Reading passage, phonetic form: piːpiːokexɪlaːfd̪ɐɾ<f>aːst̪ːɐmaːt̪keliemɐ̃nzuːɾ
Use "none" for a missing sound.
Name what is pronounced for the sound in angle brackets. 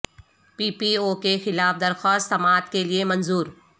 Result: x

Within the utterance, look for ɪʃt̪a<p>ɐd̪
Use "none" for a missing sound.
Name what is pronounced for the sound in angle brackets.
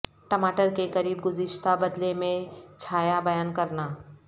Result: b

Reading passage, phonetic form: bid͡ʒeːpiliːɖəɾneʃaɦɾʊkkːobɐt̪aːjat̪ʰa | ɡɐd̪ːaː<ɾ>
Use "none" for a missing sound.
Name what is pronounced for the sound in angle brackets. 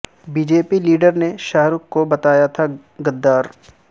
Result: ɾ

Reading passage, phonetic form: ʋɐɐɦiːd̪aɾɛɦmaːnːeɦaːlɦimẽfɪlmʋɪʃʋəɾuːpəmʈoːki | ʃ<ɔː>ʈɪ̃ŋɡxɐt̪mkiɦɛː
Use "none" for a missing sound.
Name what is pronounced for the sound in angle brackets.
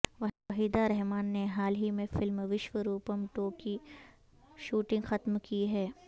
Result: uː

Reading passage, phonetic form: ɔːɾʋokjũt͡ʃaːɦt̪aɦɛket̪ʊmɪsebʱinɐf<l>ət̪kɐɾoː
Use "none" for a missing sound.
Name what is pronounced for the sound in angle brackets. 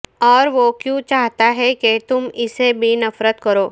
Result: ɾ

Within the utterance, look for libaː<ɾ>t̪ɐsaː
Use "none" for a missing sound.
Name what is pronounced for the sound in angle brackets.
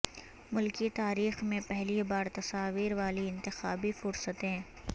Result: ɾ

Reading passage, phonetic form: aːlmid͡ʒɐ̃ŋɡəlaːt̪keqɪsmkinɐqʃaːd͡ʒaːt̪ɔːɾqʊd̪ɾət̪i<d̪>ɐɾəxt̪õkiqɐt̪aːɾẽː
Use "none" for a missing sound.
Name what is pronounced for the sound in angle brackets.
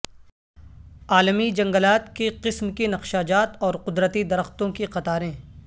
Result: d̪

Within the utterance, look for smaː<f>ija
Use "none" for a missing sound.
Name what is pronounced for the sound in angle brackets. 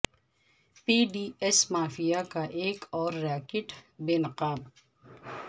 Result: f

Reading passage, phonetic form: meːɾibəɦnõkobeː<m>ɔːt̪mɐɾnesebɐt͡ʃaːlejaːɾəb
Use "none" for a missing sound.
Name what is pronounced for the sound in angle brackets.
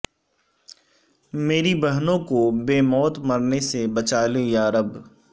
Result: m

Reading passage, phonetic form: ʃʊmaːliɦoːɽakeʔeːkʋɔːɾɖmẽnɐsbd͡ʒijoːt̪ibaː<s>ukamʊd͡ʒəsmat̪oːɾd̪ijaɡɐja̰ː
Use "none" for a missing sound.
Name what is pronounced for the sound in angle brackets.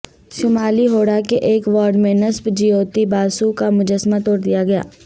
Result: s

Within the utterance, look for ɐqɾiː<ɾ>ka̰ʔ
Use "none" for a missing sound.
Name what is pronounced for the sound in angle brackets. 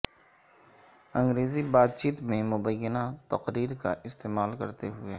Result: ɾ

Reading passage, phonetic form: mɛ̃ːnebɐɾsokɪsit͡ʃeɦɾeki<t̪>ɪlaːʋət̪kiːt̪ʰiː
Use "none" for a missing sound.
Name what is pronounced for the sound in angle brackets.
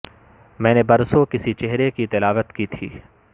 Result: t̪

